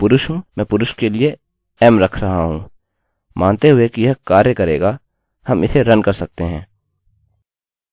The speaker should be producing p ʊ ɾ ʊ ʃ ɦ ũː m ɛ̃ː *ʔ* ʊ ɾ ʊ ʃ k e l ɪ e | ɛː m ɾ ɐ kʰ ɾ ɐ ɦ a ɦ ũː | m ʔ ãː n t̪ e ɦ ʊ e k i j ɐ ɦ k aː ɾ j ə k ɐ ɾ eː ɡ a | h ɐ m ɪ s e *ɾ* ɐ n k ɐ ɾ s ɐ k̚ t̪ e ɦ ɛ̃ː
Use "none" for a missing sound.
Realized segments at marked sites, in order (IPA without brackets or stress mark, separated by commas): p, ɾ